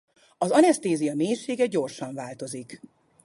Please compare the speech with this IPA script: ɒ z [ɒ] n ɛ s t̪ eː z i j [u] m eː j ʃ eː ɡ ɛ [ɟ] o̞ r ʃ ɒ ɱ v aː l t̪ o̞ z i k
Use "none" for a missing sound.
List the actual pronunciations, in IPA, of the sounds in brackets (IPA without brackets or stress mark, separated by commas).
ɒ, ɒ, ɟ